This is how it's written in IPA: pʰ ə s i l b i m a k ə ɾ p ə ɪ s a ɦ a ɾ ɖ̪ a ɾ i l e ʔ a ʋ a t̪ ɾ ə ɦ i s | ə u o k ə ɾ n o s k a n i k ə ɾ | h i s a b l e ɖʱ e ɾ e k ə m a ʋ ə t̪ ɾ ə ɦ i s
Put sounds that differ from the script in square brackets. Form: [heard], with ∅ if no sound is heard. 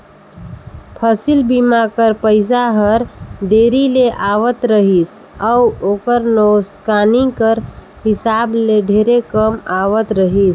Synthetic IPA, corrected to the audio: pʰ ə s i l b i m a k ə ɾ p ə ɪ s a ɦ [ə] ɾ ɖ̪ [e] ɾ i l e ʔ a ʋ [ə] t̪ ɾ ə ɦ i s | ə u o k ə ɾ n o s k a n i k ə ɾ | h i s a b l e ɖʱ e ɾ e k ə m a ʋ ə t̪ ɾ ə ɦ i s